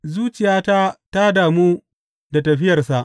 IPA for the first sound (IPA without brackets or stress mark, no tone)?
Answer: z